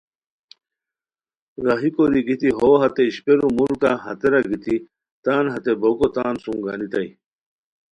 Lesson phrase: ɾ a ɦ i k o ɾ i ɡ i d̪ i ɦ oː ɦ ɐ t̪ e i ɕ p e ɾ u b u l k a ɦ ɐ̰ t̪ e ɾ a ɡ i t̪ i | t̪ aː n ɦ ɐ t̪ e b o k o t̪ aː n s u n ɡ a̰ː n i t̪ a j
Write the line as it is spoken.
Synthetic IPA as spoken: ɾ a ɦ i k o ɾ i ɡ i t̪ i ɦ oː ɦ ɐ t̪ e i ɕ p e ɾ u m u l k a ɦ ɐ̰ t̪ e ɾ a ɡ i t̪ i | t̪ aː n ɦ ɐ t̪ e b o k o t̪ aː n s u ŋ ɡ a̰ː n i t̪ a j